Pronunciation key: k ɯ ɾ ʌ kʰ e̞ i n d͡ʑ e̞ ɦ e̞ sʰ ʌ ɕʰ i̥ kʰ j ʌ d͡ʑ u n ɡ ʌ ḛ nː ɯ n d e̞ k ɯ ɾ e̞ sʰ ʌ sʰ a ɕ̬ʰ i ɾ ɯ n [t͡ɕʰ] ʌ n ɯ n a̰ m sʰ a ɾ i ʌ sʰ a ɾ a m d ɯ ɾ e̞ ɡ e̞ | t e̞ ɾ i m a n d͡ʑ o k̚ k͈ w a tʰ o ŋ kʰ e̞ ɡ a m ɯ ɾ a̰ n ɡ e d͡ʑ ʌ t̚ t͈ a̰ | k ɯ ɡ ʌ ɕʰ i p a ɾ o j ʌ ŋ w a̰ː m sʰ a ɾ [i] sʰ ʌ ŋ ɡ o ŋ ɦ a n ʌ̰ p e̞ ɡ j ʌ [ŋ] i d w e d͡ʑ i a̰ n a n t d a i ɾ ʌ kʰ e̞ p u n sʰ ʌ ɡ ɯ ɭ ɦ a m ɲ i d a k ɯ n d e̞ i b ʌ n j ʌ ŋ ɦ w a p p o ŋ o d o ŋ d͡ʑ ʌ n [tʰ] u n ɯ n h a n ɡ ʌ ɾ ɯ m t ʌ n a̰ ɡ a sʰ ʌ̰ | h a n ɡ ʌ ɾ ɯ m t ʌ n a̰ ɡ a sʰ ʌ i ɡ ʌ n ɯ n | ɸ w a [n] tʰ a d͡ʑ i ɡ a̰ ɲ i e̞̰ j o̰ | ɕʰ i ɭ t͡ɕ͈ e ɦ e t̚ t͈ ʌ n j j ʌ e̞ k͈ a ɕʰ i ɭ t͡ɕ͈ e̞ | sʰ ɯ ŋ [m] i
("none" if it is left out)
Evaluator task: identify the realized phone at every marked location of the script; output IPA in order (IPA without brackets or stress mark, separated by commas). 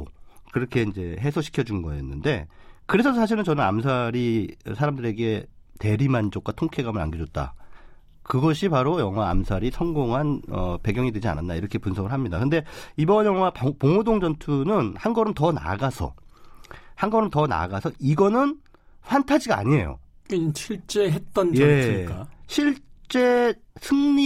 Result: t͡ɕ, i, ŋ, tʰ, n, ɲ